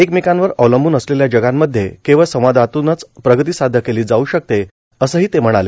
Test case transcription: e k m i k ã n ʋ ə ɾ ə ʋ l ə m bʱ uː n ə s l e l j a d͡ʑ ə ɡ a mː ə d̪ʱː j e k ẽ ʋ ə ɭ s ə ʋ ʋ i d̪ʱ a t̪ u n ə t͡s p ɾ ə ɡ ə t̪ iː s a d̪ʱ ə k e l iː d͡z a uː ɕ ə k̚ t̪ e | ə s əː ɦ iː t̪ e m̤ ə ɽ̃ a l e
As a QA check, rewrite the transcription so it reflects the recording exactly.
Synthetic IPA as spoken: e k m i k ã n ʋ ə ɾ ə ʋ l ə m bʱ uː n ə s l e l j a d͡ʑ ə ɡ a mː ə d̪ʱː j e k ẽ ʋ ə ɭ s ə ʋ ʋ a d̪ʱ a t̪ u n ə t͡s p ɾ ə ɡ ə t̪ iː s a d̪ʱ ə k e l iː d͡z a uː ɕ ə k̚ t̪ e | ə s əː ɦ iː t̪ e m̤ ə ɽ̃ a l e